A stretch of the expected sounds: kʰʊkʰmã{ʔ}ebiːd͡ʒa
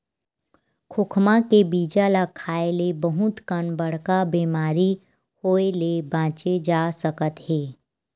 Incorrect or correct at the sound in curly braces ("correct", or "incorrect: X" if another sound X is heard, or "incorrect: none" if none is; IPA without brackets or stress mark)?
incorrect: k